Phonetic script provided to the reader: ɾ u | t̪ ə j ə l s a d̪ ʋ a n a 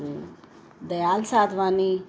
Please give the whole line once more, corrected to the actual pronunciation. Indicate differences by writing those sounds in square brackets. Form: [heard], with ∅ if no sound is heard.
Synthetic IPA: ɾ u | [d̪] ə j [a] l s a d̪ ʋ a n [i]